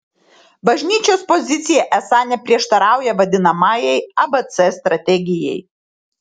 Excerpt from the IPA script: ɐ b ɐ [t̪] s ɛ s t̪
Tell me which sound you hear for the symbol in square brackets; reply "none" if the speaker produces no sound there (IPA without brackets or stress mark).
t̪